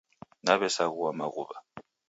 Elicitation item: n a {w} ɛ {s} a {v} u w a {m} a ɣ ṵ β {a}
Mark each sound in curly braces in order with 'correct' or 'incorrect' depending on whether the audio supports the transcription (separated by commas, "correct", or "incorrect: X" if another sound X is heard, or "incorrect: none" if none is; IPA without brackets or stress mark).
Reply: incorrect: β, correct, incorrect: ɣ, correct, correct